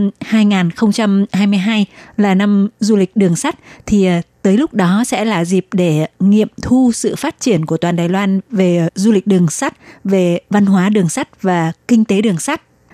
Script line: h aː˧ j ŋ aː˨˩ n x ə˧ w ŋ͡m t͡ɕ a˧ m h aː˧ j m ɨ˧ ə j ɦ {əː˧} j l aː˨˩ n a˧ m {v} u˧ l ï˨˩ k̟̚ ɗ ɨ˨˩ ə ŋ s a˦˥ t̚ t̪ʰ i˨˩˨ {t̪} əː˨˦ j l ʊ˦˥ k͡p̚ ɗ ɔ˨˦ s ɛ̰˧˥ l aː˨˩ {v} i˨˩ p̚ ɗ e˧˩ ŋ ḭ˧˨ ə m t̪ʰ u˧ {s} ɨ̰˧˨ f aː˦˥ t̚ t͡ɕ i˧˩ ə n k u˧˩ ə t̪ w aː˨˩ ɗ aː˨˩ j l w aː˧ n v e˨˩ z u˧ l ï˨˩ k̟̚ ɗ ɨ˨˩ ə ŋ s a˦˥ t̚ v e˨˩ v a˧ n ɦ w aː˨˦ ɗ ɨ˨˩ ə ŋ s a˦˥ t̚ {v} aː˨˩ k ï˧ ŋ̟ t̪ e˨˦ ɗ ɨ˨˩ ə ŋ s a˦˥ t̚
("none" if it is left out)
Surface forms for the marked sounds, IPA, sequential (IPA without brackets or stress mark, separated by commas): aː˧, z, t̪, z, s, v